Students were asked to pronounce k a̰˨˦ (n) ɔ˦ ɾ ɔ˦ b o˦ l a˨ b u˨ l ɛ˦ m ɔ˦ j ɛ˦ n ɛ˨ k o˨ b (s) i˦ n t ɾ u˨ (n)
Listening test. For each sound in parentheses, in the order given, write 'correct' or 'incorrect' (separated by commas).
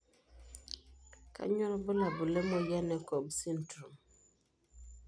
incorrect, correct, incorrect